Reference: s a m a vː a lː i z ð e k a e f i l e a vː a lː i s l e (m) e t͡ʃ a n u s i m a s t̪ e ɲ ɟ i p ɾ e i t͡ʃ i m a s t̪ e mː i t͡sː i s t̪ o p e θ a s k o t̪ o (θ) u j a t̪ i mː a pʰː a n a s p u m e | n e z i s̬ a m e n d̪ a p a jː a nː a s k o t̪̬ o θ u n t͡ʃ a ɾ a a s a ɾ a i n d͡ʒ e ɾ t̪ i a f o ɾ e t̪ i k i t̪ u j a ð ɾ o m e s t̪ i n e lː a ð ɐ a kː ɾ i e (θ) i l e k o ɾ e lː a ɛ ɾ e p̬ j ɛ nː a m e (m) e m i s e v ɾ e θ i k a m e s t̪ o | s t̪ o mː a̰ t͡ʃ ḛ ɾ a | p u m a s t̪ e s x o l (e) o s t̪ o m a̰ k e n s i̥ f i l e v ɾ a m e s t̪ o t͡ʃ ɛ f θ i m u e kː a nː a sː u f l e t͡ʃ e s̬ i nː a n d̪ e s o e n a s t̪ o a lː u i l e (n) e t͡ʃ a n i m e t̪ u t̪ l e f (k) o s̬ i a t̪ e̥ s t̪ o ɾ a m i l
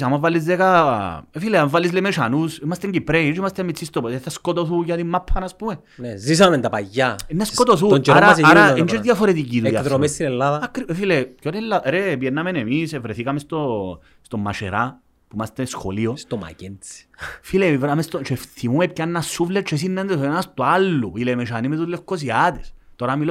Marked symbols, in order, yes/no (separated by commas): yes, yes, no, no, no, no, yes